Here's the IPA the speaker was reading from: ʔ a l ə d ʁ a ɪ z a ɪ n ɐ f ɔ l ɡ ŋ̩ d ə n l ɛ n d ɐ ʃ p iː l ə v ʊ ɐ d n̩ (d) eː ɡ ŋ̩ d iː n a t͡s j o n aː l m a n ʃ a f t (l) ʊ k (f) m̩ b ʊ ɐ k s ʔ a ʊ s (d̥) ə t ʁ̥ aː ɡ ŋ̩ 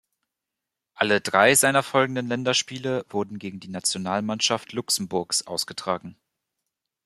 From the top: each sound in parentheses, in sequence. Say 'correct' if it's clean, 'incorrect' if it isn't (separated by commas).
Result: incorrect, correct, incorrect, incorrect